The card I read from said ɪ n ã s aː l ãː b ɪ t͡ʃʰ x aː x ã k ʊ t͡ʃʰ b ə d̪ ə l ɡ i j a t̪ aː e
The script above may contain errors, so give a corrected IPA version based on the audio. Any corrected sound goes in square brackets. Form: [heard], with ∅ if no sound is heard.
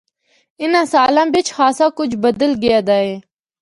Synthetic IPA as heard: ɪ n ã s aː l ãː b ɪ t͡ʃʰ x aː [s] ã k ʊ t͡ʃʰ b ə d̪ ə l ɡ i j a [d̪] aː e